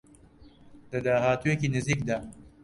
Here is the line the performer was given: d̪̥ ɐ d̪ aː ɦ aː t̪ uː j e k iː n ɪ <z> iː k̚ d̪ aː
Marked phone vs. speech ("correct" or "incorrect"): correct